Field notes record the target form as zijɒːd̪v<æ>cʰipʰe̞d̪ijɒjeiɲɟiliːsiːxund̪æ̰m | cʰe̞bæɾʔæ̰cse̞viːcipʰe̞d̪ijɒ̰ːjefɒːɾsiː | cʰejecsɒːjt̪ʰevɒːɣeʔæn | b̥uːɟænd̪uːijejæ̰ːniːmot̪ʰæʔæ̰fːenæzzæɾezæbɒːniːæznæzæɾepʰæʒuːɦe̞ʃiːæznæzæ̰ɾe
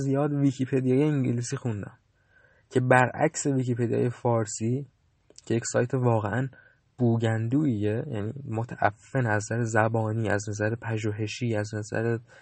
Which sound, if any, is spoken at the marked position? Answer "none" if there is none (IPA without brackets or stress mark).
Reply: i